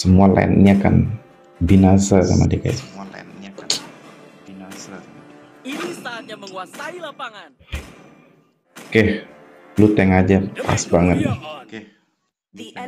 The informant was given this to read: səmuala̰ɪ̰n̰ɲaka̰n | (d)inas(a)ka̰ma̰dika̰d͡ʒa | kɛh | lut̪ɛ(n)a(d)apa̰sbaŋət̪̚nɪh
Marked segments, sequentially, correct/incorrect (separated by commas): incorrect, correct, incorrect, incorrect